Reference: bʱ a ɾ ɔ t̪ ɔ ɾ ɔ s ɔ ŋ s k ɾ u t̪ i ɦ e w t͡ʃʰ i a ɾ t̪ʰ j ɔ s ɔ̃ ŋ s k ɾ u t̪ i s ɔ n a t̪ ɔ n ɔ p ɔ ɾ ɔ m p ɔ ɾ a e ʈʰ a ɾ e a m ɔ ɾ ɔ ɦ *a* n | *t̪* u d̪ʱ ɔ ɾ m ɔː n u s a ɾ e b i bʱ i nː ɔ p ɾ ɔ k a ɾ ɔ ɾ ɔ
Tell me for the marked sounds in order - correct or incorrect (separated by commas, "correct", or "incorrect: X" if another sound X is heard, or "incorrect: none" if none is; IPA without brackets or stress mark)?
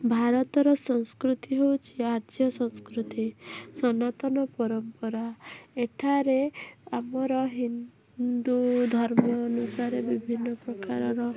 incorrect: i, incorrect: d̪